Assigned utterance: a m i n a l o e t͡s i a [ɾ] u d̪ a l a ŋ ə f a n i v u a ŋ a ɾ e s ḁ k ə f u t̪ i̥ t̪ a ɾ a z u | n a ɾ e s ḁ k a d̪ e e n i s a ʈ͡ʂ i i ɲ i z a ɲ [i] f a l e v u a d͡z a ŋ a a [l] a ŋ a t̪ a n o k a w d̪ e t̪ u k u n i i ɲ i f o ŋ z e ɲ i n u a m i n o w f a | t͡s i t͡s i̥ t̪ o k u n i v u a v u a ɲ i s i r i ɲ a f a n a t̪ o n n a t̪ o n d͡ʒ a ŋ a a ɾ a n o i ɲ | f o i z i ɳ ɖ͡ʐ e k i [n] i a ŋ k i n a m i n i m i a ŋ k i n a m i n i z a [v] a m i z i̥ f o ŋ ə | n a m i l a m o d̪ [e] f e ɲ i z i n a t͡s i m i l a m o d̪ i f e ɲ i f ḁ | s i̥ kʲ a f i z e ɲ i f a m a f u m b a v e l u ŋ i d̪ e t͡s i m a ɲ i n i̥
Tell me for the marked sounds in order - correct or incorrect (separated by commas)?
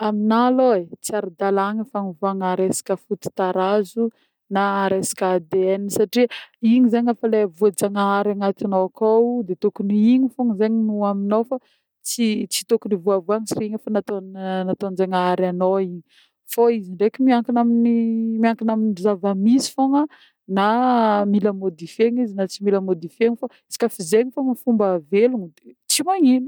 correct, incorrect, incorrect, incorrect, correct, incorrect